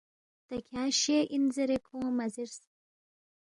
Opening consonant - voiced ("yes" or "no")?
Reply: no